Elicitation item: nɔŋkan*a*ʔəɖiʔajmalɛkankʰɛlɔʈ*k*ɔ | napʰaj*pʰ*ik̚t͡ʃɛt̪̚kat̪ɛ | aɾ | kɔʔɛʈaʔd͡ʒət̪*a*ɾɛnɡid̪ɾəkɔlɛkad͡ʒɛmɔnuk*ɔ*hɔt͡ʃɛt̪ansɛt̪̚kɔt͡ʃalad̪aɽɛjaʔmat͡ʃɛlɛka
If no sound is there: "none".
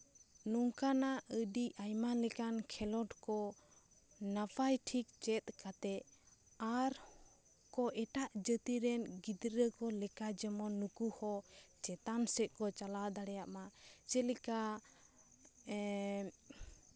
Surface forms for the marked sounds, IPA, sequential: a, k, ʈʰ, i, u

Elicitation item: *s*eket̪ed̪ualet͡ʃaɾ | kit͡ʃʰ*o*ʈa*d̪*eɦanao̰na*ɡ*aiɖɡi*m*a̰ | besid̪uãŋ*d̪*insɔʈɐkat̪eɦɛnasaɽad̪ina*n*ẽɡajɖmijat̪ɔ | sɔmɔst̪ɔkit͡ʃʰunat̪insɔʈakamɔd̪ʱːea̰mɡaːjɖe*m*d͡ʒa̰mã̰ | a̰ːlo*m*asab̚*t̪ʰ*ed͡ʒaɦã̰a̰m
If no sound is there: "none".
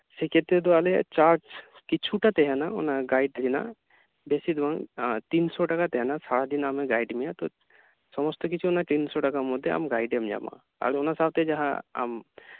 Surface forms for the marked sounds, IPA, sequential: s, u, t̪, ɡ, n, t̪, m, m, n, t̪

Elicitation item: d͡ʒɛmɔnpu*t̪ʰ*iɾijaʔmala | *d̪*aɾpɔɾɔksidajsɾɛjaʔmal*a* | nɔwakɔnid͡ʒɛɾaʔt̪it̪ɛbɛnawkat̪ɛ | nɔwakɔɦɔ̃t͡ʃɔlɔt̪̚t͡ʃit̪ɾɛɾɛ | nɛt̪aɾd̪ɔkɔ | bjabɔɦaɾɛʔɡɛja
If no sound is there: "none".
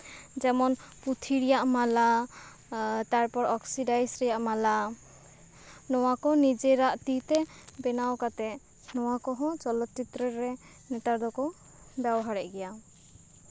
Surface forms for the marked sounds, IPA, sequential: t̪ʰ, t̪, a

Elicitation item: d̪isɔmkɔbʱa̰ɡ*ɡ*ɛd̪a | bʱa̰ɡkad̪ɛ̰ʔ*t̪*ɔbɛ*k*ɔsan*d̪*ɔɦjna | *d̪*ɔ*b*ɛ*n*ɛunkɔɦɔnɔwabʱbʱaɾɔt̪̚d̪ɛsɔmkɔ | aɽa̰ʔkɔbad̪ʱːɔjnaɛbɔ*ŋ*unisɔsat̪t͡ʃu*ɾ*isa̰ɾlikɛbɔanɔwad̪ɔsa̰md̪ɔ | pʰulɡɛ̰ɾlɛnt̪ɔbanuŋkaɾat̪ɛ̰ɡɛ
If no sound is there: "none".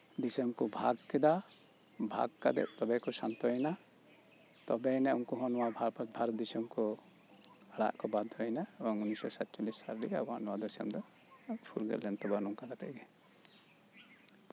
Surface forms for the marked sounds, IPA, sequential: k, t̪, k, t̪, t̪, b, n, ŋ, l

